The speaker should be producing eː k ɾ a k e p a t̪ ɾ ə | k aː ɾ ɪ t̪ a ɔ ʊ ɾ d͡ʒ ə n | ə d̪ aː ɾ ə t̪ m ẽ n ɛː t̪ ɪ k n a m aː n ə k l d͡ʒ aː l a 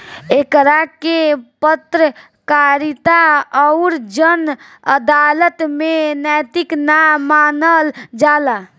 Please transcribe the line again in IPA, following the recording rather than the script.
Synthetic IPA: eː k ɾ a k e p ə t̪ ɾ ə | k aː ɾ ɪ t̪ a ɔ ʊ ɾ d͡ʒ ə n | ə d̪ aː l ə t̪ m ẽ n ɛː t̪ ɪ k n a m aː n ə l d͡ʒ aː l a